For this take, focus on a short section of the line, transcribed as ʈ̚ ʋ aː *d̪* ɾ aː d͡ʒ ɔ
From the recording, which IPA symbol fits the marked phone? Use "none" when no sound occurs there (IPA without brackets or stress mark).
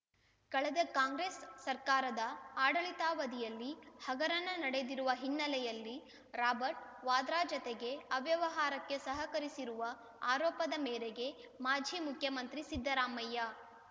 d̪